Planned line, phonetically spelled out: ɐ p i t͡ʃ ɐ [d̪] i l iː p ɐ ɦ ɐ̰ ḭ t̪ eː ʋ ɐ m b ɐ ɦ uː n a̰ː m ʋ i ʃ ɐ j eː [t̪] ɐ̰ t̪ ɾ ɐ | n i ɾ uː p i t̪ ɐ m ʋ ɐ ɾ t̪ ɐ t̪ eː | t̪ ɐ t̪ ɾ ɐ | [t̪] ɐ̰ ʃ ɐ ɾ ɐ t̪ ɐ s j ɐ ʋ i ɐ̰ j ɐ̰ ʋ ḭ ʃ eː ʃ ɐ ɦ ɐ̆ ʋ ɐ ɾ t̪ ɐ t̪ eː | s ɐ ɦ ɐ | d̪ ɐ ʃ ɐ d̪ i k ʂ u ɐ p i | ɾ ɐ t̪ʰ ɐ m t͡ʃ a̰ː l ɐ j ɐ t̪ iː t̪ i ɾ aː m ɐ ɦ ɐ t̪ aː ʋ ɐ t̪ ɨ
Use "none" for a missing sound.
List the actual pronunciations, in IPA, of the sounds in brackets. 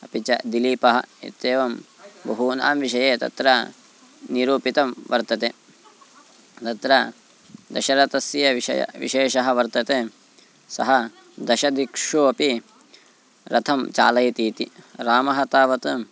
d̪, t̪, d̪

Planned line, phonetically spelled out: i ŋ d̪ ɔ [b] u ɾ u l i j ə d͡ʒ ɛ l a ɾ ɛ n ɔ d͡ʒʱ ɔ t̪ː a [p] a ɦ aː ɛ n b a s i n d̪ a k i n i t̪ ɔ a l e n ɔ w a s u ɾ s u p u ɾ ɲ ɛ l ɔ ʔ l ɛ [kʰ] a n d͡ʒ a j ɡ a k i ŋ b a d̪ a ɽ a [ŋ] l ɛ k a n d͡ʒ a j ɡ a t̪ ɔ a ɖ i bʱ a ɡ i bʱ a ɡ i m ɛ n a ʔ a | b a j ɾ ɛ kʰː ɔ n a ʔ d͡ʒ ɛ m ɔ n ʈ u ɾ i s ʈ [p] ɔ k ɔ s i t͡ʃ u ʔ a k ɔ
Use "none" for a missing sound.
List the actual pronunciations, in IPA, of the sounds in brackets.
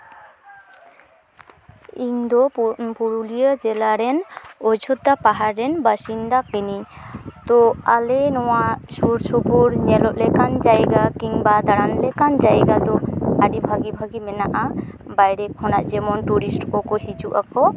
p, p, k, n, k

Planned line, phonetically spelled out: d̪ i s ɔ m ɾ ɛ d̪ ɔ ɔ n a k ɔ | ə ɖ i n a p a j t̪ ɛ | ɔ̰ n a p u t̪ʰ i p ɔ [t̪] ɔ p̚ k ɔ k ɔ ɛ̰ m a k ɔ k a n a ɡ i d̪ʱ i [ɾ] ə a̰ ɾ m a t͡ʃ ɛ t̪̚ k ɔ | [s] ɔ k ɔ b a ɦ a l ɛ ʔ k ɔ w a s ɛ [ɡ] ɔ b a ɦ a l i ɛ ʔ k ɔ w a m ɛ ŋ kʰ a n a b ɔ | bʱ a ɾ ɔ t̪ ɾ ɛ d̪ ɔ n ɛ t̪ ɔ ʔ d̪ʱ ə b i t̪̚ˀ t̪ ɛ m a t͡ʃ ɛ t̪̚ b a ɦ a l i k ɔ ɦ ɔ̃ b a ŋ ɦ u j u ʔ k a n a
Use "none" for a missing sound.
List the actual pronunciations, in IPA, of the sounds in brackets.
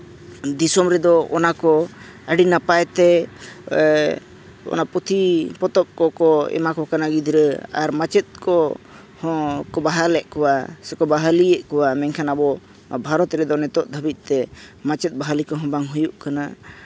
t̪, ɾ, h, k

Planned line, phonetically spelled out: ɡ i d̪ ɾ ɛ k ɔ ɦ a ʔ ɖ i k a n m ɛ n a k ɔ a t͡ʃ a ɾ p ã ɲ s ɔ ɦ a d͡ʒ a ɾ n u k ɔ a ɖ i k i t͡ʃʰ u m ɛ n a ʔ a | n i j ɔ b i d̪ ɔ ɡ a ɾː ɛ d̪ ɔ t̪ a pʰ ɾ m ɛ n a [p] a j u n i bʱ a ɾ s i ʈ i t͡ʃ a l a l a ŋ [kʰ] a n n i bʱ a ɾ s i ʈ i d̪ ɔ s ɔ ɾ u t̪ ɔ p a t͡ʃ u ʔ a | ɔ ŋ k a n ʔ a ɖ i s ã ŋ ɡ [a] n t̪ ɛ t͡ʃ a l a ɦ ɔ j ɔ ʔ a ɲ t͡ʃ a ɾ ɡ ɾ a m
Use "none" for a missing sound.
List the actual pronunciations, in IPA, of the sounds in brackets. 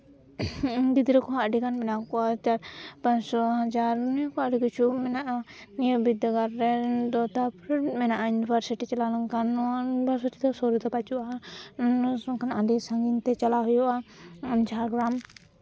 ʔ, k, i

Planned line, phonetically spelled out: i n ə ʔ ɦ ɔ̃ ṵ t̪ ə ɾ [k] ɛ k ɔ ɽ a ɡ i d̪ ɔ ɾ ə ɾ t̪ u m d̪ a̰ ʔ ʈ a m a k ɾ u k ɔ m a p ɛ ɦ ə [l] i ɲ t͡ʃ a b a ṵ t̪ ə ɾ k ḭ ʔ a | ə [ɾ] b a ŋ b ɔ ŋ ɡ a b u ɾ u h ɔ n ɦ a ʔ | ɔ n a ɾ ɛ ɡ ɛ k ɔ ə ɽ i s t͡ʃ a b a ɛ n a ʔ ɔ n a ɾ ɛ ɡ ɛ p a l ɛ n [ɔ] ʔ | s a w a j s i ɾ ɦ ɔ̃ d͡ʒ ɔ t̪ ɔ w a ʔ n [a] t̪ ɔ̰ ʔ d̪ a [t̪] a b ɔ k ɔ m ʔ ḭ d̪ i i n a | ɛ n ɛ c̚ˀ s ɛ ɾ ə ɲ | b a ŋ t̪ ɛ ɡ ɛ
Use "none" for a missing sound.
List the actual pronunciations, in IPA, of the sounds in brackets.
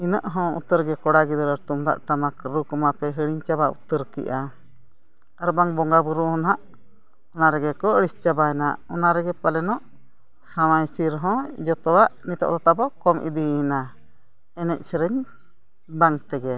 ɡ, ɽ, ɾ, ɔ, i, t̪

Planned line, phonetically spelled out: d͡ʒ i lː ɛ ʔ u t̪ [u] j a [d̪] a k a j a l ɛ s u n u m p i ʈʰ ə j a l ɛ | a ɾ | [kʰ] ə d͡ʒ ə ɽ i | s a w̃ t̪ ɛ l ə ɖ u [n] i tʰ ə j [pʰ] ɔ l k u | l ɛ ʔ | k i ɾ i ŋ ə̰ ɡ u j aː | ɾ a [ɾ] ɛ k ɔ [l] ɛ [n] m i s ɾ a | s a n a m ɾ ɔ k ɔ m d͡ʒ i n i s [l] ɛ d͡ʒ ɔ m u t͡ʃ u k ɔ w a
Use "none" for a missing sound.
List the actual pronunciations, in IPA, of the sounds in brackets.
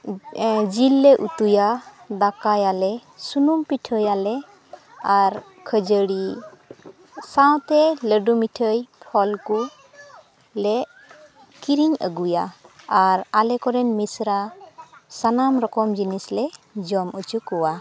u, d̪, kʰ, m, pʰ, l, ɾ, n, l

